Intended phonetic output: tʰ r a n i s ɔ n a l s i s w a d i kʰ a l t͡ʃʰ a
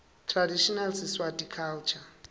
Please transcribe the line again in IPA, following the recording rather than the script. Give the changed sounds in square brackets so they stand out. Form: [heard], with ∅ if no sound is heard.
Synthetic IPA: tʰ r a [d] i [ʃ] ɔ n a l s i s w a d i kʰ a l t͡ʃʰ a